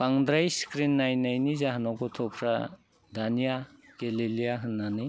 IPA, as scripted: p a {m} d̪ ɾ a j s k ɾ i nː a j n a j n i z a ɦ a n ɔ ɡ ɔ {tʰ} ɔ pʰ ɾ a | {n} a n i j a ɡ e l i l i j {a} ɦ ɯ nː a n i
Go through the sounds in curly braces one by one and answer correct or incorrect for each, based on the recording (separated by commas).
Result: incorrect, correct, incorrect, correct